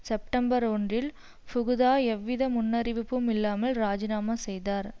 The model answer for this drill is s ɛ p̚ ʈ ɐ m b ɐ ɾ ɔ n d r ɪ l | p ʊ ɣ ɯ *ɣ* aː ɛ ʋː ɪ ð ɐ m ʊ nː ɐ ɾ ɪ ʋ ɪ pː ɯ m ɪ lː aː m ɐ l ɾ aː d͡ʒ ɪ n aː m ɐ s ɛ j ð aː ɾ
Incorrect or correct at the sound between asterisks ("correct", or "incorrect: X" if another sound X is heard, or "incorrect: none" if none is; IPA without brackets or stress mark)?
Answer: incorrect: ð